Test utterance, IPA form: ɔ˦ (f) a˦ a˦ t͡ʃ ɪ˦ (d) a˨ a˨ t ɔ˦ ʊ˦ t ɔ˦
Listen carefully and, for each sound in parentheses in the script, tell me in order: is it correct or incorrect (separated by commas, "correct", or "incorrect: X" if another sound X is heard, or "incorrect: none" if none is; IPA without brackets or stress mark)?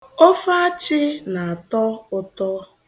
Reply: correct, incorrect: n